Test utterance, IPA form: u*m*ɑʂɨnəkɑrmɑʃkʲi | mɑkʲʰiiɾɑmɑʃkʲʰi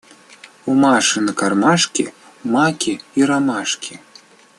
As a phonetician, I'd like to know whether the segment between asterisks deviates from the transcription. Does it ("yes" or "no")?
no